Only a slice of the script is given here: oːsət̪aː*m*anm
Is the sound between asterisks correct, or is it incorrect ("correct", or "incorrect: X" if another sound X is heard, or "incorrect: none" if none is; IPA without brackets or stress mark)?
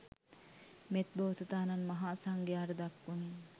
incorrect: n